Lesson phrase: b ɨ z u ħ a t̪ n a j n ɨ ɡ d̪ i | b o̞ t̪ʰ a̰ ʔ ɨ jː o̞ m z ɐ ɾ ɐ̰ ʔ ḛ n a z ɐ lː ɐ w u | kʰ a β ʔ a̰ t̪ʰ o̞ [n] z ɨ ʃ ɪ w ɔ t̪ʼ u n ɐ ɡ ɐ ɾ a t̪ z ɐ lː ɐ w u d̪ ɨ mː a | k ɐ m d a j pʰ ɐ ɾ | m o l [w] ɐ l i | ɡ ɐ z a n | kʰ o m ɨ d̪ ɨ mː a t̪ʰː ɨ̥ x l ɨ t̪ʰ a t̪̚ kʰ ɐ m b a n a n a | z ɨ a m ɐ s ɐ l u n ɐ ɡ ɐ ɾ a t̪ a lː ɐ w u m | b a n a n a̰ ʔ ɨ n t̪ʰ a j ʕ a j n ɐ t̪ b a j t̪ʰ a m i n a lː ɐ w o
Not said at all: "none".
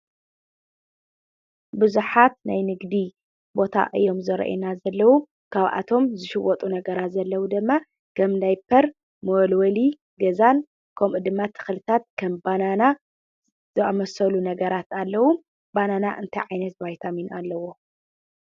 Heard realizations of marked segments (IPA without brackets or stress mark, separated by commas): m, w